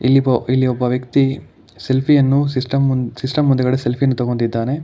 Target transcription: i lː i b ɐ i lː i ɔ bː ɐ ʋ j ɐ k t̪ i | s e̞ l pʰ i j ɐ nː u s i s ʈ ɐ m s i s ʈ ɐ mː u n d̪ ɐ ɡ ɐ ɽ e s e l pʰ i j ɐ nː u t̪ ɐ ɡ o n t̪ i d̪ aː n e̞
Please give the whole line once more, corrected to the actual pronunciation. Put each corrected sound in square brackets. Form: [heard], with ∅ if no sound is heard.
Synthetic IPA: i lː i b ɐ i lː i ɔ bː ɐ ʋ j ɐ k t̪ i | s e̞ l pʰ i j ɐ nː u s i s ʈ ɐ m s i s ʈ ɐ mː u n d̪ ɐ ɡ ɐ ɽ e s e l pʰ i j ɐ nː u t̪ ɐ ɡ o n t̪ i [d̪ː] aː n e̞